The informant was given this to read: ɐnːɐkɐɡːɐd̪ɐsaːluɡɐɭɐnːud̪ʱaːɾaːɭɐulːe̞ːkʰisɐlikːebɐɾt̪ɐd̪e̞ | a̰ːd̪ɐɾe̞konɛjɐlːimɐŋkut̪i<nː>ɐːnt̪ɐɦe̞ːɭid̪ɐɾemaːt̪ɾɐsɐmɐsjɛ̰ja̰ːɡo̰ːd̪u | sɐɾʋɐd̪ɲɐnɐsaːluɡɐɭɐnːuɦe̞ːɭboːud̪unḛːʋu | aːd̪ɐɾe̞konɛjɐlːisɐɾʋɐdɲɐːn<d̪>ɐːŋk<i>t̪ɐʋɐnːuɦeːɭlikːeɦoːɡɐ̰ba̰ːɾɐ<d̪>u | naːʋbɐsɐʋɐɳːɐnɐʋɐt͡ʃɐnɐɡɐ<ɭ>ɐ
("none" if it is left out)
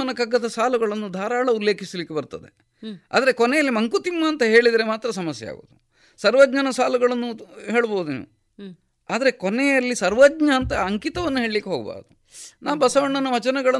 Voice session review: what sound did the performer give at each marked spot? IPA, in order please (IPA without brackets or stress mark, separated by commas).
mː, t̪, i, d̪, ɭ